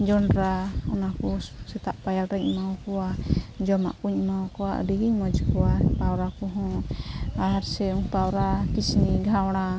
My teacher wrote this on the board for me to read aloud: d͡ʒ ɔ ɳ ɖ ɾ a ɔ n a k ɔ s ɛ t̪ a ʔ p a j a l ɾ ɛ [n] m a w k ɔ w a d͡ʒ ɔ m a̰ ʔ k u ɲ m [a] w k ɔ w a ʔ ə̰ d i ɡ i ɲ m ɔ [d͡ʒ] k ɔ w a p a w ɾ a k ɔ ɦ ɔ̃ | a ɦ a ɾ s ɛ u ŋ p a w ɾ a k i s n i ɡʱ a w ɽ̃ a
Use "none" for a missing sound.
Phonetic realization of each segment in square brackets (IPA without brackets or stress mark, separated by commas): ɲ, a, d͡ʒ